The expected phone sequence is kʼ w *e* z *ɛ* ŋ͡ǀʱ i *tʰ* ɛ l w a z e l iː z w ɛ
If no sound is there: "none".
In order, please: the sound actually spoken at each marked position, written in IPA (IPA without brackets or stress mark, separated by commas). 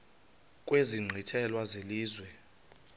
e, i, tʰ